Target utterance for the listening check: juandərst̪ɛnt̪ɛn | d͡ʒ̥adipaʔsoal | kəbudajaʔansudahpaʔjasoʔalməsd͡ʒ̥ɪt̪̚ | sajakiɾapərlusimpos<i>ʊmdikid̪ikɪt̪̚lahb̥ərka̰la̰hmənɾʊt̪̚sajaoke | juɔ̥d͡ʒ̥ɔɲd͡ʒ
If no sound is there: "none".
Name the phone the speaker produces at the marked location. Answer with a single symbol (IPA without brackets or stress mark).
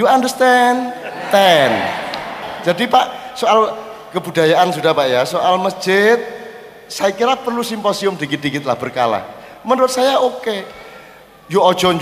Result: i